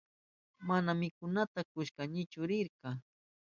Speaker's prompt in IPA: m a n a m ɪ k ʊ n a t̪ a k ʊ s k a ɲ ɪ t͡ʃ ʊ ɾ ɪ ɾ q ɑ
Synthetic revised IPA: m a n a m ɪ k ʊ n a t̪ a k ʊ ʃ k a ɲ ɪ t͡ʃ ʊ ɾ ɪ ɾ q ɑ